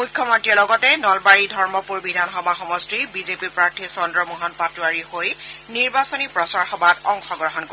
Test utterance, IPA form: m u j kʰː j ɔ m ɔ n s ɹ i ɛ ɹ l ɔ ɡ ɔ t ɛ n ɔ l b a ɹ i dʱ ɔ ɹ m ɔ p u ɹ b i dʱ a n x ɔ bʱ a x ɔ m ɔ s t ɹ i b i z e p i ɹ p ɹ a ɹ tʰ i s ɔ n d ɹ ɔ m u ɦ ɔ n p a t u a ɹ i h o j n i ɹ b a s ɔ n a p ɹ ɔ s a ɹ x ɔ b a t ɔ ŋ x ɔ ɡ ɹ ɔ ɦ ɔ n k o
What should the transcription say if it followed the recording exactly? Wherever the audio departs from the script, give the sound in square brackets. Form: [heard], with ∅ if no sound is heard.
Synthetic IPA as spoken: m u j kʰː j ɔ m ɔ n [t] ɹ i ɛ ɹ l ɔ ɡ ɔ t ɛ n ɔ l b a ɹ i dʱ ɔ ɹ m ɔ p u ɹ b i dʱ a n x ɔ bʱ a x ɔ m ɔ s t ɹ i b i z e p i ɹ p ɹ a ɹ tʰ i s ɔ n d ɹ ɔ m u ɦ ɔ n p a t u a ɹ i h o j n i ɹ b a s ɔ n [i] p ɹ ɔ s a ɹ x ɔ b a t ɔ ŋ x ɔ ɡ ɹ ɔ ɦ ɔ n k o

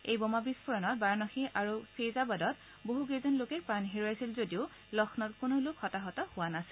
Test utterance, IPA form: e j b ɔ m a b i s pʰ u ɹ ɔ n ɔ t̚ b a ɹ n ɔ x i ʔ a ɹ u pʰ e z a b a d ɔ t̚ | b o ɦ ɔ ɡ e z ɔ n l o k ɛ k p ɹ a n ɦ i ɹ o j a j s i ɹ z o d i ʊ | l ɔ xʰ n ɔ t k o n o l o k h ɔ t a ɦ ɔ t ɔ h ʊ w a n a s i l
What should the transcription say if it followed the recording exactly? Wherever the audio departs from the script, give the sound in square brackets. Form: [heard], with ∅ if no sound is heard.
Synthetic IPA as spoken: e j b ɔ m a b i s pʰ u ɹ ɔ n ɔ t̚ b a ɹ n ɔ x i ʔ a ɹ u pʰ e z a b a d ɔ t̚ | b o ɦ [u] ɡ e z ɔ n l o k ɛ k p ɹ a n ɦ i ɹ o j a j s i [l] z o d i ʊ | l ɔ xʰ n ɔ t k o n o l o k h ɔ t a ɦ ɔ t ɔ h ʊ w a n a s i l

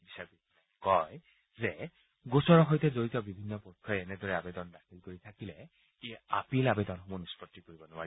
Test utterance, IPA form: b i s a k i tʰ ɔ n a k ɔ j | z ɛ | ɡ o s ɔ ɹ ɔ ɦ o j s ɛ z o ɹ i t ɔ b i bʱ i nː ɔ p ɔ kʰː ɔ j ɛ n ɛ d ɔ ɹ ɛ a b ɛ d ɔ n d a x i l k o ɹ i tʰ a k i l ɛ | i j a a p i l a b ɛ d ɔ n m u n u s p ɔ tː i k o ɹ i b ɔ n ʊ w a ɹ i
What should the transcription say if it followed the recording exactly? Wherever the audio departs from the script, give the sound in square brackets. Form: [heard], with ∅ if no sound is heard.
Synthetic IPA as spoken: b i s a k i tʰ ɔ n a k ɔ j | z ɛ | ɡ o s ɔ ɹ ɔ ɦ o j [t] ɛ z o ɹ i t ɔ b i bʱ i nː ɔ p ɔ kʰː ɔ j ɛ n ɛ d ɔ ɹ ɛ a b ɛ d ɔ n d a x i l k o ɹ i tʰ a k i l ɛ | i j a a p i l a b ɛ d ɔ n m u n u s p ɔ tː i k o ɹ i b ɔ n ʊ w a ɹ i

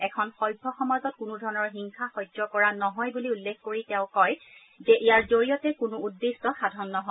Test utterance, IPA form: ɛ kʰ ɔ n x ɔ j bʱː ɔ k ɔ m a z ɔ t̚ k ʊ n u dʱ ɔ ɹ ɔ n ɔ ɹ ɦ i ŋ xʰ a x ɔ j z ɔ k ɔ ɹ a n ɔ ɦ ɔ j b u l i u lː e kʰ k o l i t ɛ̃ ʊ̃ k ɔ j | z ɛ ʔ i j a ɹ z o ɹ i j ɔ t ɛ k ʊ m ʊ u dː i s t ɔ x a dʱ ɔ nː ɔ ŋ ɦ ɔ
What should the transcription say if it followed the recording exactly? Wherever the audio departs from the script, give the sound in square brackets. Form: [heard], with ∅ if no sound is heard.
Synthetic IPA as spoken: ɛ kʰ ɔ n x ɔ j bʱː ɔ [x] ɔ m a z ɔ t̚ k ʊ n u dʱ ɔ ɹ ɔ n ɔ ɹ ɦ i ŋ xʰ a x ɔ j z ɔ k ɔ ɹ a n ɔ ɦ ɔ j b u l i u lː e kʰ k o [ɹ] i t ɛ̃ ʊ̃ k ɔ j | z ɛ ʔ i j a ɹ z o ɹ i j ɔ t ɛ k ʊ [n] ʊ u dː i s t ɔ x a dʱ ɔ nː ɔ [∅] ɦ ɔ

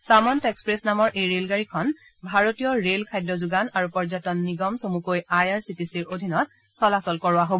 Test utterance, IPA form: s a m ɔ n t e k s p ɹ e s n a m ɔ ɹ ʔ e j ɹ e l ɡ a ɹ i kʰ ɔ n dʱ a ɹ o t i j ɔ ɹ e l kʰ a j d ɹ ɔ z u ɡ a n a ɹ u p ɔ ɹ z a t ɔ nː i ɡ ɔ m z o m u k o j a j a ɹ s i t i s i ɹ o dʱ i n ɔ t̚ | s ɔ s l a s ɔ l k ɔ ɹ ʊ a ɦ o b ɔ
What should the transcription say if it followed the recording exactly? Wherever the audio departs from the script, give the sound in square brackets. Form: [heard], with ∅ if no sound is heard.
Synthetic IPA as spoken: s a m ɔ n t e k s p ɹ e s n a m ɔ ɹ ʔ e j ɹ e l ɡ a ɹ i kʰ ɔ n [bʱ] a ɹ o t i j ɔ ɹ e l kʰ a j d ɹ ɔ z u ɡ a n a ɹ u p ɔ ɹ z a t ɔ nː i ɡ ɔ m [s] o m u k o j a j a ɹ s i t i s i ɹ o dʱ i n ɔ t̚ | s ɔ [∅] l a s ɔ l k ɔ ɹ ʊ a ɦ o b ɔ

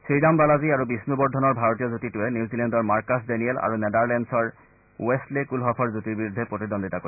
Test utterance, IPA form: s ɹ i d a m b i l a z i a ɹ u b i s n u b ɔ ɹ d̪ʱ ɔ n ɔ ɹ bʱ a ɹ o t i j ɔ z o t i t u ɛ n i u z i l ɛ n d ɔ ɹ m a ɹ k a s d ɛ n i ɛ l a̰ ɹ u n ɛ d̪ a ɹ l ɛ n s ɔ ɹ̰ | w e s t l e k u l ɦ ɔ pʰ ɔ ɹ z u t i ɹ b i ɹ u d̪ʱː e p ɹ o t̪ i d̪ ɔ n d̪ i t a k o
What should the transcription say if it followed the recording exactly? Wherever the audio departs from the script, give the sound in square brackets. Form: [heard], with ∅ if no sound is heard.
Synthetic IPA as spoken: s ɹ i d a m b [a] l a z i a ɹ u b i s n u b ɔ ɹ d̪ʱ ɔ n ɔ ɹ bʱ a ɹ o t i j ɔ z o t i t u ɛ n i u z i l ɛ n d ɔ ɹ m a ɹ k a s d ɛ n i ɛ l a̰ ɹ u n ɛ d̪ a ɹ l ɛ n s ɔ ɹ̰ | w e s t l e k u l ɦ ɔ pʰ ɔ ɹ z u t i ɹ b i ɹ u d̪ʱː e p ɹ o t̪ i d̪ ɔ n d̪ i t a k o

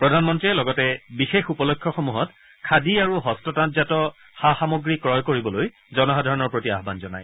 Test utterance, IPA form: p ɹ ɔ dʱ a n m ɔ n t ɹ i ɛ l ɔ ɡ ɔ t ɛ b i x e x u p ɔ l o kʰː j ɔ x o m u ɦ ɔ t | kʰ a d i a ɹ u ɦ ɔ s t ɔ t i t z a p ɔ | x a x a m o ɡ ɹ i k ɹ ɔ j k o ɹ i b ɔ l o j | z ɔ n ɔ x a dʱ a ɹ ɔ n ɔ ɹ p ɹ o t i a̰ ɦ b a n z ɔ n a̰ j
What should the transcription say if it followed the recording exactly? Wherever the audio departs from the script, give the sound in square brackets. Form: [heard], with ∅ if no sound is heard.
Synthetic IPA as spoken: p ɹ ɔ dʱ a n m ɔ n t ɹ i ɛ l ɔ ɡ ɔ t ɛ b i x e x u p ɔ l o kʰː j ɔ x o m u ɦ ɔ t | kʰ a d i a ɹ u ɦ ɔ s t ɔ t [a] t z a [t] ɔ | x a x a m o ɡ ɹ i k ɹ ɔ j k o ɹ i b ɔ l o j | z ɔ n ɔ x a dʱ a ɹ ɔ n ɔ ɹ p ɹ o t i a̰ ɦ b a n z ɔ n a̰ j

